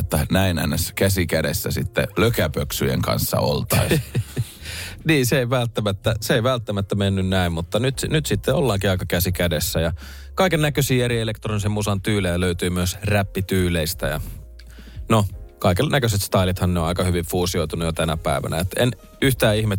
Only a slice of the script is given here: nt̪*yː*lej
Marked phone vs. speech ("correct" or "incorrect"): correct